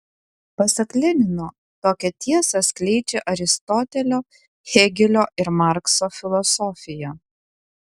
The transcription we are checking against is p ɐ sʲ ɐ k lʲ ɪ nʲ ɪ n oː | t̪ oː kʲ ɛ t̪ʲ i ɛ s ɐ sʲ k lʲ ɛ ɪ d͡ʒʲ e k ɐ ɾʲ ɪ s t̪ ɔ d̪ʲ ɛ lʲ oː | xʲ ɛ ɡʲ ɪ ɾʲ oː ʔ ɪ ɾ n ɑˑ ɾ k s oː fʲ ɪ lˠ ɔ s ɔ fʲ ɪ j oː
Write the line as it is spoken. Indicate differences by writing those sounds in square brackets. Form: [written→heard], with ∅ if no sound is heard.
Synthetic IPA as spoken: p ɐ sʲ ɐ k lʲ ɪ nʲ ɪ n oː | t̪ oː kʲ ɛ t̪ʲ i ɛ s ɐ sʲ k lʲ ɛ ɪ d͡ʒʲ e [k→ʔ] ɐ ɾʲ ɪ s t̪ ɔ [d̪ʲ→t̪ʲ] ɛ lʲ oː | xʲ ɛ ɡʲ ɪ [ɾʲ→lʲ] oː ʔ ɪ ɾ [n→m] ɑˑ ɾ k s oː fʲ ɪ lˠ ɔ s ɔ fʲ ɪ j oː